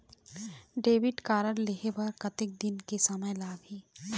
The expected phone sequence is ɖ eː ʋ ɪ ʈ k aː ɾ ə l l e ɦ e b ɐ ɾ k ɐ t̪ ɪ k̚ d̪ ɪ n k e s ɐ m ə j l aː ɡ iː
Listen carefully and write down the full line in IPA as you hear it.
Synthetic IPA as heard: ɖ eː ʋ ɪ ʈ k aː ɾ ə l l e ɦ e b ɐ ɾ k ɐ t̪ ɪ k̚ d̪ ɪ n k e s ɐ m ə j l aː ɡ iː